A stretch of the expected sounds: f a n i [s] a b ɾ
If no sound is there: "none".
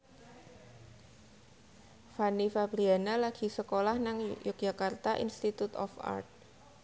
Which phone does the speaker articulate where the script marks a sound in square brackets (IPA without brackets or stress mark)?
f